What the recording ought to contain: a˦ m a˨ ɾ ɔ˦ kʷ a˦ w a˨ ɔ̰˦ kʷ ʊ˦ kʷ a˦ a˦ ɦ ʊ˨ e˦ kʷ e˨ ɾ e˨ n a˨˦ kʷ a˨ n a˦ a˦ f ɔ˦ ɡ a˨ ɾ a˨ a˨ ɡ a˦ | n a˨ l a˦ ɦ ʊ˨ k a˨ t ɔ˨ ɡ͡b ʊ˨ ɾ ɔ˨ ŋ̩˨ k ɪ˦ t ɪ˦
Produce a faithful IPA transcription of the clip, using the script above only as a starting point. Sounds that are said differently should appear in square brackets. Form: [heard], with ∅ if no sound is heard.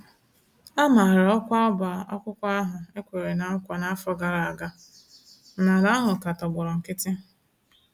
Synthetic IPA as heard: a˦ m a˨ ɾ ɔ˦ kʷ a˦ [b] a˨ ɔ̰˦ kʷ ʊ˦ kʷ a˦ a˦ ɦ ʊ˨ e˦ kʷ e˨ ɾ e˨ n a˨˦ kʷ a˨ n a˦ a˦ f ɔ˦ ɡ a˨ ɾ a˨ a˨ ɡ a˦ | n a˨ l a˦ ɦ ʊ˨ k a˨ t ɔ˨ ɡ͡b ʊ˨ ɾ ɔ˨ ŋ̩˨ k ɪ˦ t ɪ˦